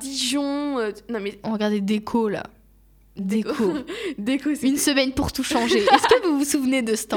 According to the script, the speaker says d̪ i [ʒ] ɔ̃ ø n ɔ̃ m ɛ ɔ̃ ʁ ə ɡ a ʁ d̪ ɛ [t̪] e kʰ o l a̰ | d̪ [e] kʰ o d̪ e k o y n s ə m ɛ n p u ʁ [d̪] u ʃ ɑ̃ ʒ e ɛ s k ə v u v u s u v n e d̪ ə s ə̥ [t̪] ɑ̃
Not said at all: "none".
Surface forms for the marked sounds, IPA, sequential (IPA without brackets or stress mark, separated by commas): ʒ, d̪, e, t̪, t̪